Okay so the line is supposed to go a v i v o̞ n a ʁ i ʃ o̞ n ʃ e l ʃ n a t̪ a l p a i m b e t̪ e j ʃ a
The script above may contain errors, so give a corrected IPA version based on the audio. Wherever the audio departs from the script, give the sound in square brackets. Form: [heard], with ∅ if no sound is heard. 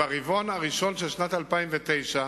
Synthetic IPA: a [ʁ] i v o̞ n a ʁ i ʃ o̞ n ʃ e l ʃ n a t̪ a l p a i m [v] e t̪ e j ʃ a